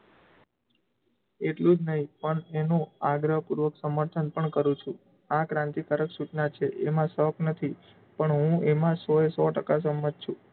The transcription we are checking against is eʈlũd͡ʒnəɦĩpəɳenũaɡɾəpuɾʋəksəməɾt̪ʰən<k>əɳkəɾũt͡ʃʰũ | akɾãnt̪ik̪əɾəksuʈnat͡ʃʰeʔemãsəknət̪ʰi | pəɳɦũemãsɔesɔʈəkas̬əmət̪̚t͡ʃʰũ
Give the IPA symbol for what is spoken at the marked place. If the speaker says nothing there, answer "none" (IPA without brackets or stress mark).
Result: p